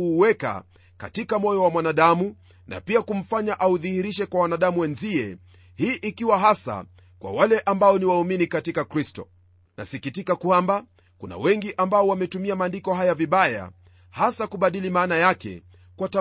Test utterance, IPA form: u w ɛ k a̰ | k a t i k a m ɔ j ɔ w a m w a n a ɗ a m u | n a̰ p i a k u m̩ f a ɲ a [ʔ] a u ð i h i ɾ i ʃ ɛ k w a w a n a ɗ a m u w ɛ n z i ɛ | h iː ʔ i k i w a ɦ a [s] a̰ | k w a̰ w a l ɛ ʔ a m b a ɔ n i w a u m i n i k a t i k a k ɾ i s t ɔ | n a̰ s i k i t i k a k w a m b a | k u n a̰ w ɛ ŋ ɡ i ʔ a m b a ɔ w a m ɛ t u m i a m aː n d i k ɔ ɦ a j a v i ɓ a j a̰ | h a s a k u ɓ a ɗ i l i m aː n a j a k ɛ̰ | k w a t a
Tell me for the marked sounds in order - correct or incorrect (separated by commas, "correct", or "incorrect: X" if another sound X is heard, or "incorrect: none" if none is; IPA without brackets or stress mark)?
correct, correct